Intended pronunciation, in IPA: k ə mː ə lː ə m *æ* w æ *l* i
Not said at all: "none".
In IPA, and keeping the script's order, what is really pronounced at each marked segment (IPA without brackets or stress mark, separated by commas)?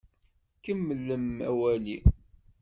æ, l